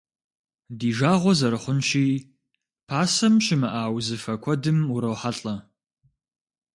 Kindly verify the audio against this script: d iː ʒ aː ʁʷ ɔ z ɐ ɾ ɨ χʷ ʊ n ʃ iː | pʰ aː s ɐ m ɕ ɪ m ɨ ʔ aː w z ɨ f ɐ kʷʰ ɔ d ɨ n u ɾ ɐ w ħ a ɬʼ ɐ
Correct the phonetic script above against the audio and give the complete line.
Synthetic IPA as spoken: d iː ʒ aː ʁʷ ɔ z ɐ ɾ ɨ χʷ ʊ n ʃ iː | pʰ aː s ɐ m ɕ ɪ m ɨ ʔ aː w z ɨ f ɐ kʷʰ ɔ d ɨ m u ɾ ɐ w ħ a ɬʼ ɐ